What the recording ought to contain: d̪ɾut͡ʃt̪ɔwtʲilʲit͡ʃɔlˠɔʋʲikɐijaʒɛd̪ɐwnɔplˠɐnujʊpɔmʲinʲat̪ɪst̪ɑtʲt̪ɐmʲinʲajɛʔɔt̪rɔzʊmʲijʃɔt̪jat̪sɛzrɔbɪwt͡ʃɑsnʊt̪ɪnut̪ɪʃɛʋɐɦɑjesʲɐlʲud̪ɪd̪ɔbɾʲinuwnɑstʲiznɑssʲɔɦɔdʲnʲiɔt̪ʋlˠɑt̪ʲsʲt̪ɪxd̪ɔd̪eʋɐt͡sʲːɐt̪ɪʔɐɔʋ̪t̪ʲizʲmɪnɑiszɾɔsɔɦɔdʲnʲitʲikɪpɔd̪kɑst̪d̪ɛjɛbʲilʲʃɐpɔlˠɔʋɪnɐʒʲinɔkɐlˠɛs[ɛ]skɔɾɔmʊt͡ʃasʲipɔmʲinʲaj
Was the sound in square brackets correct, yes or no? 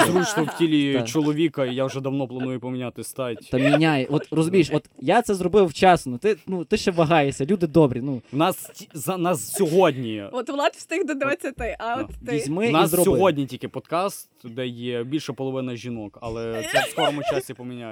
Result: yes